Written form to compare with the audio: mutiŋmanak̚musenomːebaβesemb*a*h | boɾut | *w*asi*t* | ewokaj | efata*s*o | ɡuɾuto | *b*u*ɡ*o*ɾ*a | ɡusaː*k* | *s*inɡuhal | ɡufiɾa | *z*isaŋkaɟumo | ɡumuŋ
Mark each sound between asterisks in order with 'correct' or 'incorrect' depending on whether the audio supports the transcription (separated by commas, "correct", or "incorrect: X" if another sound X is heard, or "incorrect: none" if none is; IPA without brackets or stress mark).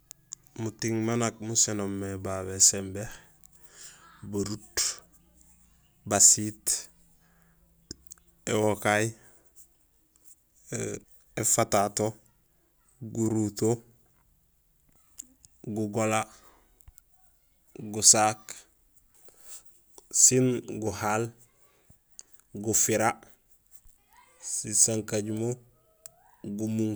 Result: incorrect: e, incorrect: b, correct, incorrect: t, incorrect: ɡ, correct, incorrect: l, correct, correct, incorrect: s